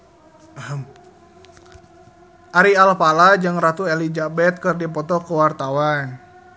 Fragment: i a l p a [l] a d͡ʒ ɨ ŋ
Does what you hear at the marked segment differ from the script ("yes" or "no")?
no